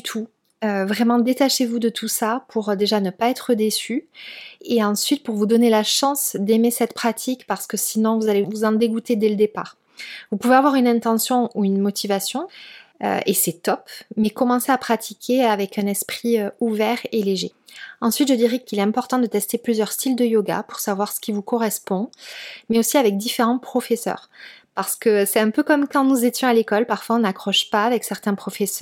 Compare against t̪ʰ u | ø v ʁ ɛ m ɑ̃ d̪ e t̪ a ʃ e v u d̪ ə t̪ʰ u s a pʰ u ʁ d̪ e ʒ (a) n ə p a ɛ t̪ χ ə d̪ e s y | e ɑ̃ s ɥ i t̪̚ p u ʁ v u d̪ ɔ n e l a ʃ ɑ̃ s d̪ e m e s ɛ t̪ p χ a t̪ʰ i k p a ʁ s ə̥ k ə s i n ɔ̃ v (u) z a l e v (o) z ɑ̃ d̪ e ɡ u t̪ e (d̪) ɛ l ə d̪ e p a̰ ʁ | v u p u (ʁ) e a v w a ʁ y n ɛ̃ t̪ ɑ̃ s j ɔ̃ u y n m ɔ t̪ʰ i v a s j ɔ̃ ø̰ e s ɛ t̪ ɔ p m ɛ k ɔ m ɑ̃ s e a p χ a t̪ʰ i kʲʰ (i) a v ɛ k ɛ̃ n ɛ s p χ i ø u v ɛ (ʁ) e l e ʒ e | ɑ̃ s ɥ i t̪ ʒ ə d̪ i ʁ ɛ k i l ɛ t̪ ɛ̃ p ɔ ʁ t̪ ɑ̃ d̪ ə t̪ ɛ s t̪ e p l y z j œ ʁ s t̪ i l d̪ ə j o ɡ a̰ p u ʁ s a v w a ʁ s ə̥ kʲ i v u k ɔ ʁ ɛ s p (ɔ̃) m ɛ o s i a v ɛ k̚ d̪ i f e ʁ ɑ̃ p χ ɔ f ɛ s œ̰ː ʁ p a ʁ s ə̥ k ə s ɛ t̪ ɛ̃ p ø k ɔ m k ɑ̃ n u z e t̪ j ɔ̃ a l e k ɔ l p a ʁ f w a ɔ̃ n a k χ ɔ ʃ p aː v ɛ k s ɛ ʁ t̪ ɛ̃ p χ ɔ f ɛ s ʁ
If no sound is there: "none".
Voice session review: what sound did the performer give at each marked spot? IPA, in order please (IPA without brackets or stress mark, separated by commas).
a, u, u, d̪, v, e, ʁ, ɔ̃